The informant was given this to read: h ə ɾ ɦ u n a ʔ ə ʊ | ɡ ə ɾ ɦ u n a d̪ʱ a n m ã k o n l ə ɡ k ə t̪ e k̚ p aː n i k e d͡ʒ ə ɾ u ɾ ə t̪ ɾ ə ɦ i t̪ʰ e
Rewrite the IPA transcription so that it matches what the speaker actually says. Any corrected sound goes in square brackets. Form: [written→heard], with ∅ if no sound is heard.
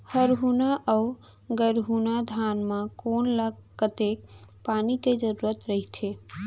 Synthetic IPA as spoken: h ə ɾ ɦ u n a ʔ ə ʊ | ɡ ə ɾ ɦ u n a d̪ʱ a n m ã k o n l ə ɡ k ə t̪ e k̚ p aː n i k e d͡ʒ ə ɾ u ɾ ə t̪ ɾ ə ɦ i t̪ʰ e